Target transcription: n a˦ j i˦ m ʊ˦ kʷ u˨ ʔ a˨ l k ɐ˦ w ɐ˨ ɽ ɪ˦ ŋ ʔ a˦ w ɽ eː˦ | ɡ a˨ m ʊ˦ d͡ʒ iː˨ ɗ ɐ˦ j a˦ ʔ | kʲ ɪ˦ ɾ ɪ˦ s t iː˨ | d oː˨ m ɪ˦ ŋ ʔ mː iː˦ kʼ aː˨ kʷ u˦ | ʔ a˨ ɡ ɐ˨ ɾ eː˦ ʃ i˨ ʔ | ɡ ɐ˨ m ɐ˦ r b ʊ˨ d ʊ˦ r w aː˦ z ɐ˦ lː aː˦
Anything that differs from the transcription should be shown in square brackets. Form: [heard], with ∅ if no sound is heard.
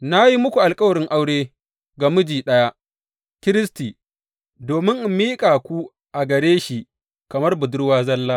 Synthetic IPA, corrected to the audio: n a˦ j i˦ m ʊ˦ kʷ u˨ ʔ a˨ l [kʼ] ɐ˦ w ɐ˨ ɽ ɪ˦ ŋ ʔ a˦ w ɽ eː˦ | ɡ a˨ m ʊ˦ d͡ʒ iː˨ ɗ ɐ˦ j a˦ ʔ | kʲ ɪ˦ ɾ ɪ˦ s t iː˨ | d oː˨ m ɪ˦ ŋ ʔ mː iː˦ kʼ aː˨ kʷ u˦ | ʔ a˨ ɡ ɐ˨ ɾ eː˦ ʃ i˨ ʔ | [k] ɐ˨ m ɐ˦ r b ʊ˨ d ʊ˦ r w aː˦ z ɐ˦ lː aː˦

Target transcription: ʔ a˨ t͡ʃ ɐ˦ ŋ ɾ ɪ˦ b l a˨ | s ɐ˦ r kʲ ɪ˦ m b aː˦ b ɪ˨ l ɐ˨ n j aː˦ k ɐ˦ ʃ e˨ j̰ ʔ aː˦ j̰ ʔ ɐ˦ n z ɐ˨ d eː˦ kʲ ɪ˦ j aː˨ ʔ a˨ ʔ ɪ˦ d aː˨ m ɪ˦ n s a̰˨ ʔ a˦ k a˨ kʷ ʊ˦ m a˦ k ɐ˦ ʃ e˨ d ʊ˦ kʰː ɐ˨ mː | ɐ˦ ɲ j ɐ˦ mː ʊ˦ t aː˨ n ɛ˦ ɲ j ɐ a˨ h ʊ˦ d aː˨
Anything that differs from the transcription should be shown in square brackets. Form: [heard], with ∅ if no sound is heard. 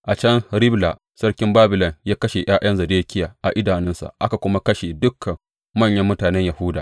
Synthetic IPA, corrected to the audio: ʔ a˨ t͡ʃ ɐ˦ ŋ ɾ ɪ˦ b l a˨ | s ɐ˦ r kʲ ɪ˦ m b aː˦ b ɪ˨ l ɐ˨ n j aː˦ k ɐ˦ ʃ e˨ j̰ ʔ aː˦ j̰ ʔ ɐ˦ n z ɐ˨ d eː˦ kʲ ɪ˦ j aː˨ ʔ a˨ ʔ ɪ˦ d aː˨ [n] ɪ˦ n s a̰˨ ʔ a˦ k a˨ kʷ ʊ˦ m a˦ k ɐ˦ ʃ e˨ d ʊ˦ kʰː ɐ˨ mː | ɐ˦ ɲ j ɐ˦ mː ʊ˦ t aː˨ n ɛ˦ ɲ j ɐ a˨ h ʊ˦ d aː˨

